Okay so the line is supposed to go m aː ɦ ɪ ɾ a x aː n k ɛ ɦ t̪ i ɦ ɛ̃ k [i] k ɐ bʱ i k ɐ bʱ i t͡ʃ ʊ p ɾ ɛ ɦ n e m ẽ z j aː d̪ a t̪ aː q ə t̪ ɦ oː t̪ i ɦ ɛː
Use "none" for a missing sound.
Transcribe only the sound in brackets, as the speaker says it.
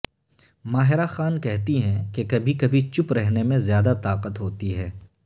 e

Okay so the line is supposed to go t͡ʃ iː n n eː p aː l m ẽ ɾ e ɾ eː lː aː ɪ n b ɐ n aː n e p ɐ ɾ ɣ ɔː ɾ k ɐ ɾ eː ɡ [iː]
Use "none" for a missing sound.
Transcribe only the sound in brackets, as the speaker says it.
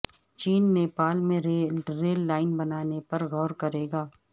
aː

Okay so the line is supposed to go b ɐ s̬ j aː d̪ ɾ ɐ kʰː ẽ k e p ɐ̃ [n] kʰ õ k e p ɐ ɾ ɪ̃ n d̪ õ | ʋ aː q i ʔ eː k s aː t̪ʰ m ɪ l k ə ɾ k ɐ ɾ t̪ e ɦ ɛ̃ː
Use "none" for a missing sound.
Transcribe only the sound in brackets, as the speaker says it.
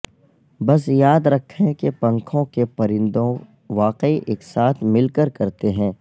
ŋ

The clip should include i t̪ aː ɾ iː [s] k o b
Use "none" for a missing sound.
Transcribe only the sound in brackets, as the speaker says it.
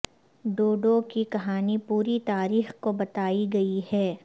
x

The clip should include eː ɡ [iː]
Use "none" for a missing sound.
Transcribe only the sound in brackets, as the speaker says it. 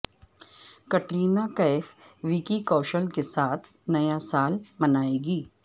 iː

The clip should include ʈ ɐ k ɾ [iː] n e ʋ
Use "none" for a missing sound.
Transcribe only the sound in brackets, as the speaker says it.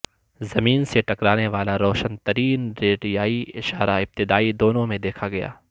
aː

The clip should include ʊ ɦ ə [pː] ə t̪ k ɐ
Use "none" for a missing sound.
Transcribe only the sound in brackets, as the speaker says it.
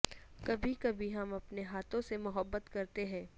bː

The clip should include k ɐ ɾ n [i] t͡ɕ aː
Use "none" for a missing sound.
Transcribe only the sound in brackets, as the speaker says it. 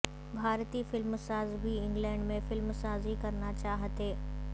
a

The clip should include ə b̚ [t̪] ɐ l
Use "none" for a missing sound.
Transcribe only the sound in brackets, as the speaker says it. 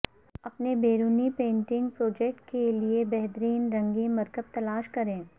t̪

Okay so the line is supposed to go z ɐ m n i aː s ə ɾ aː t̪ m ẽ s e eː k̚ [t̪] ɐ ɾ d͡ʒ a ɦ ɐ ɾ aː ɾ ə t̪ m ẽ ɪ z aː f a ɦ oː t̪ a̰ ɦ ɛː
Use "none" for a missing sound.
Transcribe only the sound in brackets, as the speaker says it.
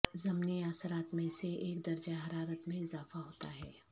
d̪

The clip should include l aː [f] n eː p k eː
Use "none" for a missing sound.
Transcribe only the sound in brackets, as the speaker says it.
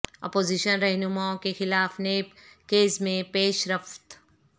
f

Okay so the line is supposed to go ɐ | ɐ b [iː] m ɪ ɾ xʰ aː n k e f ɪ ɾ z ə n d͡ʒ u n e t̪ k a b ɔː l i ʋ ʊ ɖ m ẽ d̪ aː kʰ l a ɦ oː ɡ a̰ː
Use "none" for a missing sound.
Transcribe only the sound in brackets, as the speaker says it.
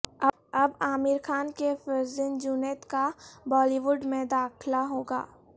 aː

